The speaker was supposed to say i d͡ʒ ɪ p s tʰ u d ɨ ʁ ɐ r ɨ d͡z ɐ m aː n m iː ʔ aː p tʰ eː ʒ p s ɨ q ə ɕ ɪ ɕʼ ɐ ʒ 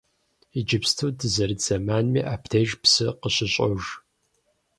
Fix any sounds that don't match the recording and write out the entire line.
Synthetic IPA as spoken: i d͡ʒ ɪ p s tʰ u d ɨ z ɐ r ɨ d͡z ɐ m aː n m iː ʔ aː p tʰ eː ʒ p s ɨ q ə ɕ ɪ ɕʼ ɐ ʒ